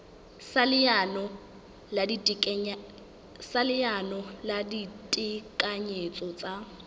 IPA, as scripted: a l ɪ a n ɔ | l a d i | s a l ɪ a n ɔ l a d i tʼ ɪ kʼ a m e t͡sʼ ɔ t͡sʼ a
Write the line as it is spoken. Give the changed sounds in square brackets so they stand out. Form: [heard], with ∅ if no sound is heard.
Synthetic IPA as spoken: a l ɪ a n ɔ | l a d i | s a l ɪ a n ɔ l a d i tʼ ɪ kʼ a [ɲ] e t͡sʼ ɔ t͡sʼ a

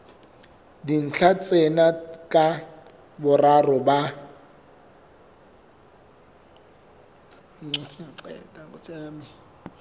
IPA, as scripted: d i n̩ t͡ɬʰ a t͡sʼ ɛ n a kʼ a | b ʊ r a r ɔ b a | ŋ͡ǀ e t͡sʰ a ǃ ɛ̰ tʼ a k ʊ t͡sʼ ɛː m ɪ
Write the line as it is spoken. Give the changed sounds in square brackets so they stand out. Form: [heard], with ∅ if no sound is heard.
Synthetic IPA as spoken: d i n̩ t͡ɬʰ a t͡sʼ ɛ n a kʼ a | b ʊ r a r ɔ b a | ŋ͡ǀ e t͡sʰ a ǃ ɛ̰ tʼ a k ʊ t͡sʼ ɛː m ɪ

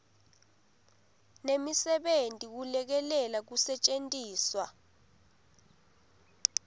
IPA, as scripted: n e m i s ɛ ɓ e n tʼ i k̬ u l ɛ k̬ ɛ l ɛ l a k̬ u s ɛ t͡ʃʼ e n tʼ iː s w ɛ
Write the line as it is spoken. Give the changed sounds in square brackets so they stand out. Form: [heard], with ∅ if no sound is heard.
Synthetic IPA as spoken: n e m i s ɛ ɓ e n tʼ i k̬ u l ɛ k̬ ɛ l ɛ l a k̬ u s ɛ t͡ʃʼ e n tʼ iː s w [a]

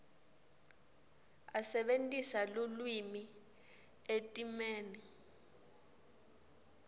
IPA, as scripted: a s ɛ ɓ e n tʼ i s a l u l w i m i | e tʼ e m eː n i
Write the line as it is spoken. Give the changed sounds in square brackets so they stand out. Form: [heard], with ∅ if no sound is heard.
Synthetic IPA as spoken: a s ɛ ɓ e n tʼ i s a l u l w i m i | e tʼ [i] m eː n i

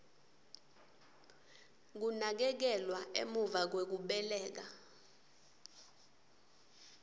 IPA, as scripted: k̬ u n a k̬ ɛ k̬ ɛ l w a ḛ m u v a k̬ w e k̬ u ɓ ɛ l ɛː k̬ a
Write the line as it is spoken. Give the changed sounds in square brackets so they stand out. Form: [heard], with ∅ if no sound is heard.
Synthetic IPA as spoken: k̬ u n a k̬ ɛ k̬ ɛ l w a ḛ m u v a k̬ w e k̬ u ɓ ɛ l ɛː k̬ a

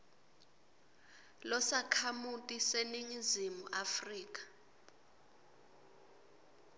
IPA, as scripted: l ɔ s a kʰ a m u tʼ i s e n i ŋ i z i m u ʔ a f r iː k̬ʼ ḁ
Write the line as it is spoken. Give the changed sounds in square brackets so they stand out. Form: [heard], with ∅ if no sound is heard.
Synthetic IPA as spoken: l ɔ s a kʰ a m u tʼ i s e n i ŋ i z i m u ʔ a f r iː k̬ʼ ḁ

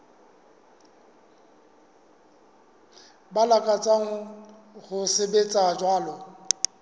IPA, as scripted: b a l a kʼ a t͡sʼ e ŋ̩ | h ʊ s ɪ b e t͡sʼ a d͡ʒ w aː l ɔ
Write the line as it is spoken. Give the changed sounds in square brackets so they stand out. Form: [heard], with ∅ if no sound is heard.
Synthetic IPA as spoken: b a l a kʼ a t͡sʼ [a] ŋ̩ | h ʊ s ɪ b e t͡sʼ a d͡ʒ w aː l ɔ

